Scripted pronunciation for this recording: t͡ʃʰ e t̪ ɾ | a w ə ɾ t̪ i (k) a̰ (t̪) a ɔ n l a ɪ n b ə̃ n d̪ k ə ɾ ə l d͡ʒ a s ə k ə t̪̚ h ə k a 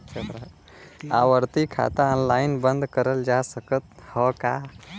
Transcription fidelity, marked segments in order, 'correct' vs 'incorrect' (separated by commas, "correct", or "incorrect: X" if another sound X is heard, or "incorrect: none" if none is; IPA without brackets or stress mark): incorrect: kʰ, correct